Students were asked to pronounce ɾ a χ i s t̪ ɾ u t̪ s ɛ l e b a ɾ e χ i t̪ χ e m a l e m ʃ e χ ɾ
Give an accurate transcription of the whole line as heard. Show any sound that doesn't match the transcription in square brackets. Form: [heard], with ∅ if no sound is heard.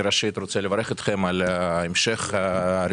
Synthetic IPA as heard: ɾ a [ʃ] i [∅] t̪ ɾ [o] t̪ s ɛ l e [v] a ɾ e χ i t̪ χ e m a l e m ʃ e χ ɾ